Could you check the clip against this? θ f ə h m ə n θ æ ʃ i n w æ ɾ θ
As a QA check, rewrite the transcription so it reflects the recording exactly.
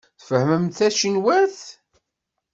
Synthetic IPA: θ f ə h m ə m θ æ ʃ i n w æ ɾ θ

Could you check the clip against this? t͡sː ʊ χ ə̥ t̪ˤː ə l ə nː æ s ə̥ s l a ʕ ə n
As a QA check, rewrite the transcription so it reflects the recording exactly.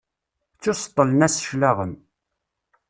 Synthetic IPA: t͡sː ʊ s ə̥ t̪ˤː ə l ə n æ s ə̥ ʃ l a ʁ ə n

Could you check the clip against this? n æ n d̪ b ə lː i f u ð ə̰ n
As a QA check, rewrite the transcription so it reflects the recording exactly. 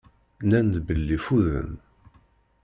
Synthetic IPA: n æ n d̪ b ə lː i f u ð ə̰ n

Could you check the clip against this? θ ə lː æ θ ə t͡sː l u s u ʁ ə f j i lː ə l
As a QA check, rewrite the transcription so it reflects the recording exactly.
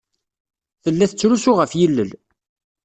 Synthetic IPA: θ ə lː æ θ ə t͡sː ɾ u s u ʁ ə f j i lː ə l

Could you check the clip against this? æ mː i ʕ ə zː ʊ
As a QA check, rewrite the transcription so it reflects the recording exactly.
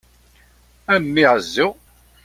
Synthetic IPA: æ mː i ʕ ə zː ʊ

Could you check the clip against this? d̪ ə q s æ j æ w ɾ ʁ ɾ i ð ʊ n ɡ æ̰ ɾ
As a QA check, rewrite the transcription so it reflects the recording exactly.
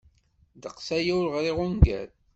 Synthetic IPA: d̪ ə q s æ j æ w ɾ ʁ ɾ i ʁ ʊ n ɡ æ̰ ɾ

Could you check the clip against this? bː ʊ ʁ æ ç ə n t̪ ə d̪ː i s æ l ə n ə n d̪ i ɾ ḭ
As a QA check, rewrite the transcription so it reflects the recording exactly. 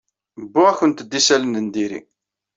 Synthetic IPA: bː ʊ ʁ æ ç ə n t̪ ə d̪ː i s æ l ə n ə n d̪ i ɾ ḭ

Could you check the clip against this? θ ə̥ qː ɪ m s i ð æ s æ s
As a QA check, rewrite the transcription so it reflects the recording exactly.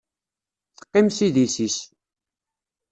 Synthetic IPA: θ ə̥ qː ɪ m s i ð i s i s

